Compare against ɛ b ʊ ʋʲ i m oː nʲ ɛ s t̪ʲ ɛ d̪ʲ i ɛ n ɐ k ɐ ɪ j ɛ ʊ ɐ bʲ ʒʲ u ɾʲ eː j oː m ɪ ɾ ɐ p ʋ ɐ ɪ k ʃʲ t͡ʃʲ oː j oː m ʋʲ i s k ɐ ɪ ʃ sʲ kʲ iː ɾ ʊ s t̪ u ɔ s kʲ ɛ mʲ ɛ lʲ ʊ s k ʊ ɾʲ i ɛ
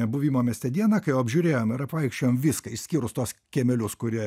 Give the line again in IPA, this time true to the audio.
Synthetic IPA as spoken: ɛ b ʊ ʋʲ i m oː mʲ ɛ s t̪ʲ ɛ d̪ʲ i ɛ n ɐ k ɐ ɪ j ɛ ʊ ɐ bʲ ʒʲ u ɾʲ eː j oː m ɪ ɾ ɐ p ʋ ɐ ɪ k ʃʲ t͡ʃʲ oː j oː m ʋʲ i s k ɐ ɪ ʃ sʲ kʲ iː ɾ ʊ s t̪ u ɔ s kʲ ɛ mʲ ɛ lʲ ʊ s k ʊ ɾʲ i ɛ